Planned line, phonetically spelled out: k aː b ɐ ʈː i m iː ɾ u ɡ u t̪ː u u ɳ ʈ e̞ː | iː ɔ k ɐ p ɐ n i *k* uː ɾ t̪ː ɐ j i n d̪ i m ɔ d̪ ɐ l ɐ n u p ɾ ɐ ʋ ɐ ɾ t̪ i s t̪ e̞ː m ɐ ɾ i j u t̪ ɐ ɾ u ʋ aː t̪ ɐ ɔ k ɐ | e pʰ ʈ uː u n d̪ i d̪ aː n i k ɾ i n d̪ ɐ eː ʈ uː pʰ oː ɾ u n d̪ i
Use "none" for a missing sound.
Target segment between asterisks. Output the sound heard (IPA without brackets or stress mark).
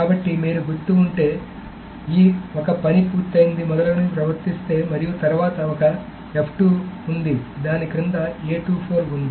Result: p